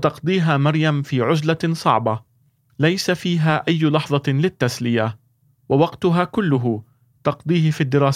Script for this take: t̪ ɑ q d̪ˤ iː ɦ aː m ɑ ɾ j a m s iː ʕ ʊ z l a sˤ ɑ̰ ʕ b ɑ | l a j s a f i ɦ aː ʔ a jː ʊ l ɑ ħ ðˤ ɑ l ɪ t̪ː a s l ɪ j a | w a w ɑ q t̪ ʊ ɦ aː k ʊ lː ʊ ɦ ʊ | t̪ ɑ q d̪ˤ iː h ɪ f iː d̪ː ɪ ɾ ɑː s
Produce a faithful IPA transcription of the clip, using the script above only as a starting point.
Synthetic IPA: t̪ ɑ q d̪ˤ iː ɦ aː m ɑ ɾ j a m f iː ʕ ʊ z l a sˤ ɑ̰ ʕ b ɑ | l a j s a f iː ɦ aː ʔ a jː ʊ l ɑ ħ ðˤ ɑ l ɪ t̪ː a s l ɪ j a | w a w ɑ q t̪ ʊ ɦ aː k ʊ lː ʊ ɦ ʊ | t̪ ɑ q d̪ˤ iː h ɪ f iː d̪ː ɪ ɾ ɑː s